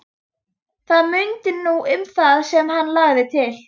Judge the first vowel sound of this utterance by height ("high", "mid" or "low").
low